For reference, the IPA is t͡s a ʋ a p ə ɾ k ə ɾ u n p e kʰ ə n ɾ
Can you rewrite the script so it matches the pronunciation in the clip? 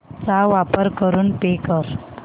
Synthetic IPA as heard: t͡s a ʋ a p ə ɾ k ə ɾ uː n p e k ə ɾ